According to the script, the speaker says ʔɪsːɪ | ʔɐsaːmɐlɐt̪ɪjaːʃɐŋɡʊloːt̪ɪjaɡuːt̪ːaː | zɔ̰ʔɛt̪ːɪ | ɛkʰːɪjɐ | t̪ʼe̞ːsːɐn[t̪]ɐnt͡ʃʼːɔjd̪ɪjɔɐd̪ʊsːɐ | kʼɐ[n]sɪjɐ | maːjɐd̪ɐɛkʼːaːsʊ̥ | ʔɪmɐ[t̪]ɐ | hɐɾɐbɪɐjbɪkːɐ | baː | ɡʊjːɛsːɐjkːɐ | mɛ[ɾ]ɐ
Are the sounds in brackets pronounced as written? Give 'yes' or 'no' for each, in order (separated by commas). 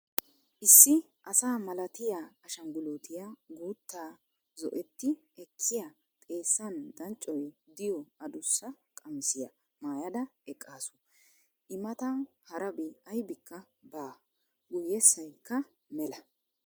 no, no, yes, no